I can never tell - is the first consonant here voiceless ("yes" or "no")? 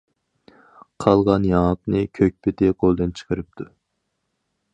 yes